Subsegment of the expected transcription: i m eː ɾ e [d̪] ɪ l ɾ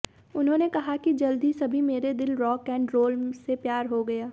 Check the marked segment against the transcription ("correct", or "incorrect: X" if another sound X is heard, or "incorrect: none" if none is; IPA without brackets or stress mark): correct